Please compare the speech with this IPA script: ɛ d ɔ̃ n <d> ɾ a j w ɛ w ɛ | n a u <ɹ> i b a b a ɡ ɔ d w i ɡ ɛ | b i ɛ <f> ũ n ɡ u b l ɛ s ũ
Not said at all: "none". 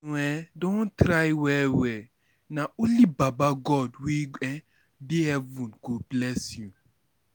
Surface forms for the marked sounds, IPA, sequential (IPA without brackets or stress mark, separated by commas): t, l, v